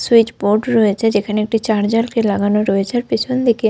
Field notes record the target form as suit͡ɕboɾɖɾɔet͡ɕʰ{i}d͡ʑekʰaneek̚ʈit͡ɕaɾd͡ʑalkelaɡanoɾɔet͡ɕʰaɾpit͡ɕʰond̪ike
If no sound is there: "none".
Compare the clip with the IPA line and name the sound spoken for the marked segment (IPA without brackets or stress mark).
e